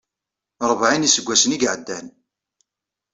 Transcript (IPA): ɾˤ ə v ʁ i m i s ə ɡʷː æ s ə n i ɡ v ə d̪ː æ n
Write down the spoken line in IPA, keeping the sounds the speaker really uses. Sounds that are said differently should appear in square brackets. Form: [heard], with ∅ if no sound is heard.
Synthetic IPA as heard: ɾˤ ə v [ʕ] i [n] i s ə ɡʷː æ s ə n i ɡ [ʕ] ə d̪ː æ n